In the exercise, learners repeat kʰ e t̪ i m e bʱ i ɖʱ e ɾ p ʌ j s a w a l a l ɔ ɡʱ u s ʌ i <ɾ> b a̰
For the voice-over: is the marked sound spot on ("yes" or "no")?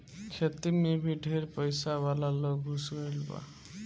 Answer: no